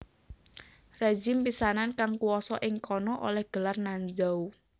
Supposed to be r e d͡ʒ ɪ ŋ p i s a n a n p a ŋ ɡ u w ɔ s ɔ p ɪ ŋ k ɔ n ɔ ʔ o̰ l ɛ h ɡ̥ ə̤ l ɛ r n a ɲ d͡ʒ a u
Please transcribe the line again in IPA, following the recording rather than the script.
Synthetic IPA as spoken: r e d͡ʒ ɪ m p i s a n a n k a ŋ k u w ɔ s ɔ ʔ ɪ ŋ k ɔ n ɔ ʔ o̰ l ɛ h ɡ̥ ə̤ l a r n a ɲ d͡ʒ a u